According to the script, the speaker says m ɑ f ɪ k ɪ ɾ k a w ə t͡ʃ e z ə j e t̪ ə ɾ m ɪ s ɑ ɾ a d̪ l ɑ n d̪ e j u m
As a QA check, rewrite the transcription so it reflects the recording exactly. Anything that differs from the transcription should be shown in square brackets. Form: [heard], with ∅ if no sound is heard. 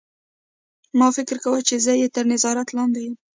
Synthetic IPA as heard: m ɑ f ɪ k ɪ ɾ k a w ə t͡ʃ e z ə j e t̪ ə ɾ [n] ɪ [z] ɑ ɾ a [t̪] l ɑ n d̪ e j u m